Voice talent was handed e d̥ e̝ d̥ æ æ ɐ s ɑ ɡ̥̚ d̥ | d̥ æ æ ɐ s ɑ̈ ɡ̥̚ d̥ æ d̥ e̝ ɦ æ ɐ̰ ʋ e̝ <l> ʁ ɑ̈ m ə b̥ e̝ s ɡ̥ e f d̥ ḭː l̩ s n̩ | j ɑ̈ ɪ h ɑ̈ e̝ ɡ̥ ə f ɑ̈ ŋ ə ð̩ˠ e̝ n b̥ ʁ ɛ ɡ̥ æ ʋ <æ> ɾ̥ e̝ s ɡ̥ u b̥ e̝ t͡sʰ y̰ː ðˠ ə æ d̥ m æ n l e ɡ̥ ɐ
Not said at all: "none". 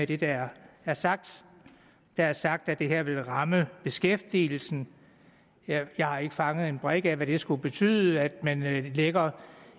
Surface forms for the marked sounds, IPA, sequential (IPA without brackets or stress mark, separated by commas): l, æ